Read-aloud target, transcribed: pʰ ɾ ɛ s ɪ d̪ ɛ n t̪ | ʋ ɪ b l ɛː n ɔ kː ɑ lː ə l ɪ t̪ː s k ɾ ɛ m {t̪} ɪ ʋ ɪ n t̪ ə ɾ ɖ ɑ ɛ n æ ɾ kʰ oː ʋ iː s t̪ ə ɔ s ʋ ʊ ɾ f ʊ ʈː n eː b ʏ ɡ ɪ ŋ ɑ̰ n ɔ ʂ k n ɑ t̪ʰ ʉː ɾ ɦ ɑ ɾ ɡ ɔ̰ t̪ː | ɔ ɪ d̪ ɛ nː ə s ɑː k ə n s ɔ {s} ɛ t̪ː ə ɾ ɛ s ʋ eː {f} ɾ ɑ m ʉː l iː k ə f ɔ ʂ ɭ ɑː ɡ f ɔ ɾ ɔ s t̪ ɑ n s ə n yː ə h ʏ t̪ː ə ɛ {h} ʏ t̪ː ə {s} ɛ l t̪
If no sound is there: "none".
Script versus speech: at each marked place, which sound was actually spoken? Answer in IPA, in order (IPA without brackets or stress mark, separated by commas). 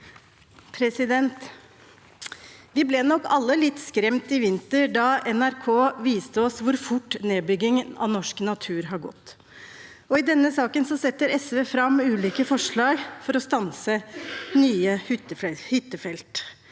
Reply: t̪, s, f, h, f